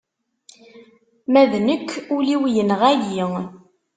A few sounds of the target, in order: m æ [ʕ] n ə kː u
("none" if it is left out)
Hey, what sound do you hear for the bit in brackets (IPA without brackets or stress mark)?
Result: ð